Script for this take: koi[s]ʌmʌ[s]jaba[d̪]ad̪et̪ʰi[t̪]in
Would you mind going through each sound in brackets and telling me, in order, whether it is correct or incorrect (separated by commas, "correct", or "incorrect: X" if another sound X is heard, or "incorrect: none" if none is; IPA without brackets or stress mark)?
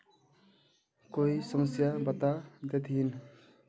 correct, correct, incorrect: t̪, incorrect: none